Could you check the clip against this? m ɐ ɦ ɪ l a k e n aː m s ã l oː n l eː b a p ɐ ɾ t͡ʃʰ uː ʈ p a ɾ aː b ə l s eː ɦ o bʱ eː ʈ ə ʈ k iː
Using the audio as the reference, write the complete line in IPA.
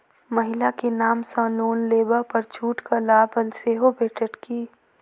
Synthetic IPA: m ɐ ɦ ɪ l a k e n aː m s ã l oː n l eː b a p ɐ ɾ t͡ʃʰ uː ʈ k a l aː b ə l s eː ɦ o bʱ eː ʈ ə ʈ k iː